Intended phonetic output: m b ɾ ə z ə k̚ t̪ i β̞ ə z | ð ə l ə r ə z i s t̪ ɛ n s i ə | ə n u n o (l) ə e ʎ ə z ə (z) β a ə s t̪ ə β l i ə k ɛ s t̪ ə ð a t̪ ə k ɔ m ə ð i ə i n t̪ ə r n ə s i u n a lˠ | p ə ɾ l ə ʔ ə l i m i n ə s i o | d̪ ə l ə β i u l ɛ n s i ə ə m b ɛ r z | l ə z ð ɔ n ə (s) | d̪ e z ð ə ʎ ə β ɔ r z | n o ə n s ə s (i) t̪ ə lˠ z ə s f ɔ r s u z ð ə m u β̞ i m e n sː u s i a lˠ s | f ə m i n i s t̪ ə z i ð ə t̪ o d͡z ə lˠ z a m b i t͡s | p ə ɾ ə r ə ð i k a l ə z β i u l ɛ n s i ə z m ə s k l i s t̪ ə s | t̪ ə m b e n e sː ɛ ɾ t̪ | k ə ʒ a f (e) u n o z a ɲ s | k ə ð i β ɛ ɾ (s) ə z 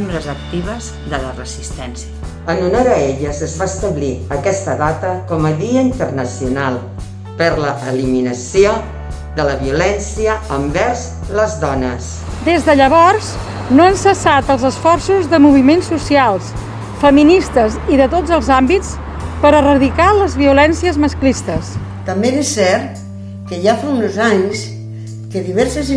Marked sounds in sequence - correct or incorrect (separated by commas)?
incorrect, correct, correct, incorrect, incorrect, correct